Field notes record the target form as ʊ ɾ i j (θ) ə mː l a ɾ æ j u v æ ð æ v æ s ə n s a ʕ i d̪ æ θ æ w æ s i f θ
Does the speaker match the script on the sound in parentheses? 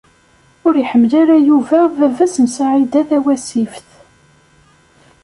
no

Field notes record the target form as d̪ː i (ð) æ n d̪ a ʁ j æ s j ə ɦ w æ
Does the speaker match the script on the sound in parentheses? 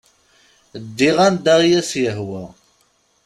no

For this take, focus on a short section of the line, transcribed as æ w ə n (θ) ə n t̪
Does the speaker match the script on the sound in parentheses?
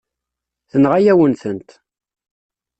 yes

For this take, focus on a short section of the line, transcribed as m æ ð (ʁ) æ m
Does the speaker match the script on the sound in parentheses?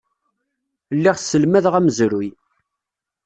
yes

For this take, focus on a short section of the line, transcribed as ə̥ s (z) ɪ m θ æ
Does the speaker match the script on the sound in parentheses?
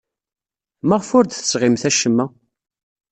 no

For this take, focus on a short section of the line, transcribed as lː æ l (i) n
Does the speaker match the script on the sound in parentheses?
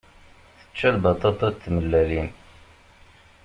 yes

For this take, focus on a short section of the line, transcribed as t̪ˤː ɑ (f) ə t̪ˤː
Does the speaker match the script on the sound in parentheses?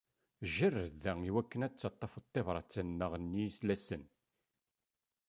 yes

